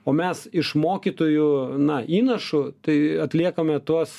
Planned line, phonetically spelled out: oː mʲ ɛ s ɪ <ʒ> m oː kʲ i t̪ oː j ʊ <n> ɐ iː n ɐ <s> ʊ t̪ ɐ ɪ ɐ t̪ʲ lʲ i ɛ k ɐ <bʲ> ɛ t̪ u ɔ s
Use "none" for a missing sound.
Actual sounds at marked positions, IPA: ʃ, n, ʃ, mʲ

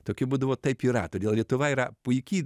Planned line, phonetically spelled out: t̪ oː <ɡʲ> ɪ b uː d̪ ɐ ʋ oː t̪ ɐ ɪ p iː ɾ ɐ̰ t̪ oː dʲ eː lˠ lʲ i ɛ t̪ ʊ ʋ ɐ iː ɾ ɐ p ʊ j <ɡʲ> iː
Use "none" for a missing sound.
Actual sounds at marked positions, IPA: kʲ, kʲ

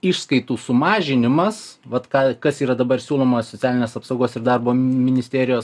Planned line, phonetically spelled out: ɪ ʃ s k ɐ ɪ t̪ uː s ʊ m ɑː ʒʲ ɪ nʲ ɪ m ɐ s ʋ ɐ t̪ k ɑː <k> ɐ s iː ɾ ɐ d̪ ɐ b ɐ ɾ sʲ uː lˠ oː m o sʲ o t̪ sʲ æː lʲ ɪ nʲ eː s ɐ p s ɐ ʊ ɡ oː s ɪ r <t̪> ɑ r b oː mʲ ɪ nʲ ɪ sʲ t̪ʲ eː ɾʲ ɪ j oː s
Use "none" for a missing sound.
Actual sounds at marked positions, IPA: k, d̪

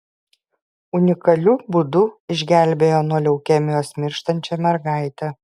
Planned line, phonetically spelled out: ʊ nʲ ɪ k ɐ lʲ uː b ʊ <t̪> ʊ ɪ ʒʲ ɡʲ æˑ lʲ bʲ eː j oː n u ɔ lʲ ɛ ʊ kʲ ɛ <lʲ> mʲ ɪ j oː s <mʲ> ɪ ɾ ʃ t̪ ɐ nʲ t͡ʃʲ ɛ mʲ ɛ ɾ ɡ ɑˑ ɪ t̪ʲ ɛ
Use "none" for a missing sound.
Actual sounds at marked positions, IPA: d̪, none, mʲ

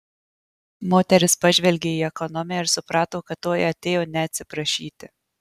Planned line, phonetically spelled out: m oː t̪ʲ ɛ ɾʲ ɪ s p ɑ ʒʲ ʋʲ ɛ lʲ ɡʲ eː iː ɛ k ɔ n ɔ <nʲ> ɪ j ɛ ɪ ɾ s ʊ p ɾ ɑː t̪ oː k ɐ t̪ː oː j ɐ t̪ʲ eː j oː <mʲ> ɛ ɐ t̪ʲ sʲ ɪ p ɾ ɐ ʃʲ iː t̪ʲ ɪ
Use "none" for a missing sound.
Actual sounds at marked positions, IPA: mʲ, nʲ

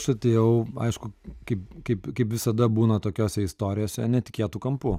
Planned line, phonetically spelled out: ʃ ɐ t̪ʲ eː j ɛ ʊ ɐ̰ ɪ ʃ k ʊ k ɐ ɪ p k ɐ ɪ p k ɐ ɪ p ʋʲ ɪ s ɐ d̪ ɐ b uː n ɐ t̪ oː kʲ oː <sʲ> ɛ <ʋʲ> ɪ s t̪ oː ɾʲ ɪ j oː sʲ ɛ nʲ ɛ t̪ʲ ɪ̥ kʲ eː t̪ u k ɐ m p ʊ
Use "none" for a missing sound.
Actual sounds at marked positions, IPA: sʲ, none

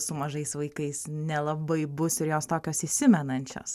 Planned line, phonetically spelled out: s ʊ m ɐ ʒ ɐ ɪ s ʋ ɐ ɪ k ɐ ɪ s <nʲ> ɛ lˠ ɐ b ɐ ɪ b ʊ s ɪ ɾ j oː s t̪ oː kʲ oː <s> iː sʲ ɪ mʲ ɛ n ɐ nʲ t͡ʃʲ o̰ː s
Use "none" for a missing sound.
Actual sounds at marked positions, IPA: nʲ, s

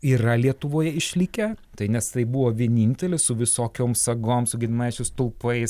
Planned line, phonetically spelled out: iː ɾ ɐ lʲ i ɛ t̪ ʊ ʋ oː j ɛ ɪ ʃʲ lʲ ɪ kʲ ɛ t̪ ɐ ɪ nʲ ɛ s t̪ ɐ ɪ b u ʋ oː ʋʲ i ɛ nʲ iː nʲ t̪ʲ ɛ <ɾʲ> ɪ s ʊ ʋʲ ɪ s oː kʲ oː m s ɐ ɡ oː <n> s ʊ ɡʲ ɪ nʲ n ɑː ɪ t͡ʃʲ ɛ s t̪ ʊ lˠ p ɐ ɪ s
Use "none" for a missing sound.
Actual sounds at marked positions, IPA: lʲ, m

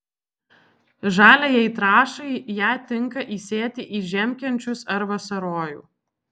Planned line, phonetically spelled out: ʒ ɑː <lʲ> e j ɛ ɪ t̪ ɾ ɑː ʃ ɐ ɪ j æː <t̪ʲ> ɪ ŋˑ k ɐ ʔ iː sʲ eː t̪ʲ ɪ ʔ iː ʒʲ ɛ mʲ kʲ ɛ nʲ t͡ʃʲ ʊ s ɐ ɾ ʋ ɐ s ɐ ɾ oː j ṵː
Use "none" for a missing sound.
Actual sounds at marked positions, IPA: lʲ, t̪ʲ

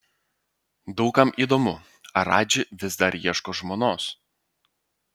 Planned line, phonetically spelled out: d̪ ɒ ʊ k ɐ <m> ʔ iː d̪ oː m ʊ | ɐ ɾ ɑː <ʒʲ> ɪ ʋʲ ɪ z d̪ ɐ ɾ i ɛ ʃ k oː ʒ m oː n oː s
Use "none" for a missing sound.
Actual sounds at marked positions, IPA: m, d͡ʒʲ

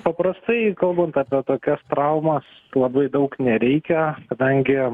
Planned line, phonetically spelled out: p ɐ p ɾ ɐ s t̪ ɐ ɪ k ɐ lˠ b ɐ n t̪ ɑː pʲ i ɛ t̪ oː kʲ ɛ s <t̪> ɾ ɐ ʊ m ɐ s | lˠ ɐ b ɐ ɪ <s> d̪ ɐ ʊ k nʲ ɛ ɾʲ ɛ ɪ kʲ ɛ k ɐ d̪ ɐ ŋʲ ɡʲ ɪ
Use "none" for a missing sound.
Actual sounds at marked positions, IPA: t̪, none

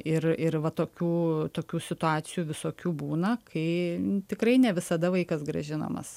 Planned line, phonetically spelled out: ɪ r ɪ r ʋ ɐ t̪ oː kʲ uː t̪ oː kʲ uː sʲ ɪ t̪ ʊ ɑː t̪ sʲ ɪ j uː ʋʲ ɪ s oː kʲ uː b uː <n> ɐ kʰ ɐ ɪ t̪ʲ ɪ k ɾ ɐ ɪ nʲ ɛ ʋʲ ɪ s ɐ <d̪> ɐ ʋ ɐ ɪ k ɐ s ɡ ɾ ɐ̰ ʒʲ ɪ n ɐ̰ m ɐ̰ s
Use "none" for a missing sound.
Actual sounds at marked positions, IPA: n, d̪

